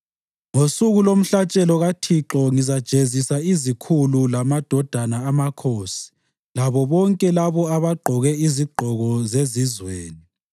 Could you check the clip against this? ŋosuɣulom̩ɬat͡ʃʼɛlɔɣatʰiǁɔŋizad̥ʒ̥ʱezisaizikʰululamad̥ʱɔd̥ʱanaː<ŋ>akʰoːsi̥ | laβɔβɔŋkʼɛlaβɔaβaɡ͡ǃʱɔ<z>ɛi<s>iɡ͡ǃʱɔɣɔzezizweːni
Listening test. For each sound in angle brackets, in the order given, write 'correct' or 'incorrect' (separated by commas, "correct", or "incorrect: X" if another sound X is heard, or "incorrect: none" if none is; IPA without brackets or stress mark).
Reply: incorrect: m, incorrect: ɣ, incorrect: z